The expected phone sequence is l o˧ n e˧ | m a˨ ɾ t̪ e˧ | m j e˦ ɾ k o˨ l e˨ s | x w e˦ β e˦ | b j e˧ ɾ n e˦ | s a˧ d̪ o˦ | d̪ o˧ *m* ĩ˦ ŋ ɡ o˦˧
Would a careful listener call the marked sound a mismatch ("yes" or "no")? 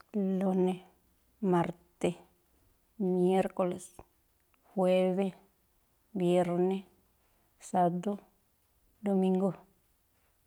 no